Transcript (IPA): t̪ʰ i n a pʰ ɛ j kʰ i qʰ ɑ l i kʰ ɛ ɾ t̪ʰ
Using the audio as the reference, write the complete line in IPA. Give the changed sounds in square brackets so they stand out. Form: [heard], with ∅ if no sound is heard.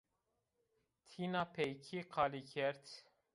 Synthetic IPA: t̪ʰ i n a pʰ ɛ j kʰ i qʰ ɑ l i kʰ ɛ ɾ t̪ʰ